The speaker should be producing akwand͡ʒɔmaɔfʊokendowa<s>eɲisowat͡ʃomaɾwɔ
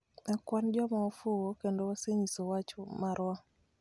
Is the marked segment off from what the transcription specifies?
no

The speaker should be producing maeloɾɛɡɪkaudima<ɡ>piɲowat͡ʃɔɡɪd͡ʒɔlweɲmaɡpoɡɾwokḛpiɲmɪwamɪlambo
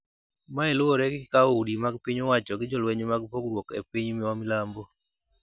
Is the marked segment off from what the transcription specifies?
no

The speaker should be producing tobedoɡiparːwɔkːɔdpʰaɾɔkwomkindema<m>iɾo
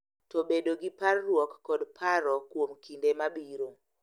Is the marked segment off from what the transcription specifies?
yes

